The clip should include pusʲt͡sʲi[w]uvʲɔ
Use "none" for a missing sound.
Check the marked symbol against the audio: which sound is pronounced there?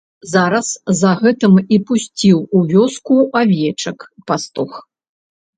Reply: w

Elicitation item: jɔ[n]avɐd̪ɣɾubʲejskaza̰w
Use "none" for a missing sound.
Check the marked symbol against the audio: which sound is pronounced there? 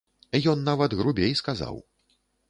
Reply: nː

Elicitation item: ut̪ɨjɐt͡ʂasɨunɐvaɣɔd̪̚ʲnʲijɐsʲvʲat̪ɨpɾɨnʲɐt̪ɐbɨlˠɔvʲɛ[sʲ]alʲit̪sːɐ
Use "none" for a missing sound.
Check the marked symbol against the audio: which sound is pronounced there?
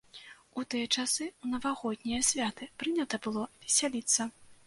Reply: sʲ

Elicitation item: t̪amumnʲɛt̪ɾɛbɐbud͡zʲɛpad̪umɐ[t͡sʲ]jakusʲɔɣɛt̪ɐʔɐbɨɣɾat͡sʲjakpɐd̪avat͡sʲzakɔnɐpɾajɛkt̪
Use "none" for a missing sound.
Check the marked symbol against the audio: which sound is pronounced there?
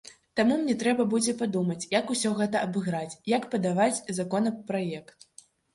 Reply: t͡sʲ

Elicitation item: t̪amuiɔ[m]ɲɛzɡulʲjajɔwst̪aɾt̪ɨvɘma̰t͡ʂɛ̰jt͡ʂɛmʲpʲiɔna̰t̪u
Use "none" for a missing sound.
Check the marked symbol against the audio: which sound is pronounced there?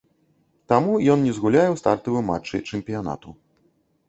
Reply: n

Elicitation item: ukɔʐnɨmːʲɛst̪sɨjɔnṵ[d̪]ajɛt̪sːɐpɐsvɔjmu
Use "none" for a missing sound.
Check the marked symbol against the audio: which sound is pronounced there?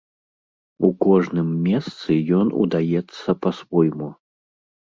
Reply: d̪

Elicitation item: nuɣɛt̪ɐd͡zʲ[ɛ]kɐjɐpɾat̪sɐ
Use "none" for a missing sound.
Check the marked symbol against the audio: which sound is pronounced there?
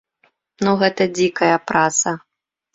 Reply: i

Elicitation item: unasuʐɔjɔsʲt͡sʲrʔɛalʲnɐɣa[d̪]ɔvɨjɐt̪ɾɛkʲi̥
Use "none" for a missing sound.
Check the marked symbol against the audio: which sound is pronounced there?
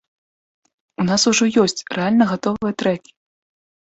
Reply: t̪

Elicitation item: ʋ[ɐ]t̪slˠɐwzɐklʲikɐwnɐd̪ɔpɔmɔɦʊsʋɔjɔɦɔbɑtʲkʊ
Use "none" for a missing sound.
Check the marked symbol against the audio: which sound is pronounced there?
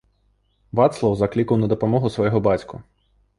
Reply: ɑ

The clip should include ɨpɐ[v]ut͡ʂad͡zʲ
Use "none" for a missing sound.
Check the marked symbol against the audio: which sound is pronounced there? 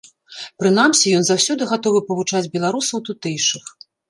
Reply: v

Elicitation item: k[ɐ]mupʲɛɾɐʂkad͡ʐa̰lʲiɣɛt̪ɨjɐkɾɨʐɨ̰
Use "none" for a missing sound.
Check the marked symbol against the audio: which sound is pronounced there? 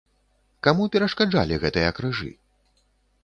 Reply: a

